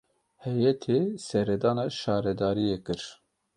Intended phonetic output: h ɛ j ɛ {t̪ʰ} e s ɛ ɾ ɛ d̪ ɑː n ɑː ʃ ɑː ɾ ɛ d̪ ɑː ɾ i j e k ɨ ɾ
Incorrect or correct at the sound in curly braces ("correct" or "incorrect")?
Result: correct